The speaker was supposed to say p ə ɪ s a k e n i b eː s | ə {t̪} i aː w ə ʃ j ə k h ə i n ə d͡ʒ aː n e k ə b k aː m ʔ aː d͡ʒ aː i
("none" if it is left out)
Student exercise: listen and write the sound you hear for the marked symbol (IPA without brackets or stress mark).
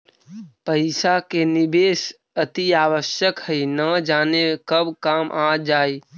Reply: t̪